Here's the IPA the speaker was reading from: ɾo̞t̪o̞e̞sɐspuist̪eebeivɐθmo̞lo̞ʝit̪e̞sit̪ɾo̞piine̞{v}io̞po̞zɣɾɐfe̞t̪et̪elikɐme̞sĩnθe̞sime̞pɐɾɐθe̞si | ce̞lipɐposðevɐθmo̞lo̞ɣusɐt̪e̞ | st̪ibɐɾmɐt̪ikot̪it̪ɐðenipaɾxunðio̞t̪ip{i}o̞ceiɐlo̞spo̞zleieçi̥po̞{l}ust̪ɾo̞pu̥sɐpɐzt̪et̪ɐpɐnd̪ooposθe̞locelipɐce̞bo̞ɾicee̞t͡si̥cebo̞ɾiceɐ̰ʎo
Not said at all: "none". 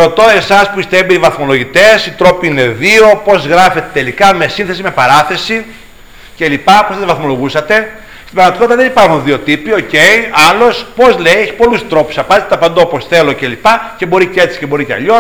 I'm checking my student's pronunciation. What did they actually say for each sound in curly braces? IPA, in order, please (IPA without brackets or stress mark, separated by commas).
ð, i, l